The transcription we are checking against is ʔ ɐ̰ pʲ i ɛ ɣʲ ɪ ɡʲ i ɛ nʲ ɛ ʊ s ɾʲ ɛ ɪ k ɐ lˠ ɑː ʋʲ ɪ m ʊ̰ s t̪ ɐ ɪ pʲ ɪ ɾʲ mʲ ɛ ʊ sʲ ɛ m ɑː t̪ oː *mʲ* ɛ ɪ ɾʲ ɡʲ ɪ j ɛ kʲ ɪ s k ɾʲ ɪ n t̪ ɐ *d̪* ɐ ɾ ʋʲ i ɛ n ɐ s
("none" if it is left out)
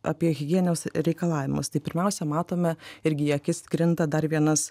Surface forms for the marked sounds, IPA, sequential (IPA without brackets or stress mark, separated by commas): mʲ, d̪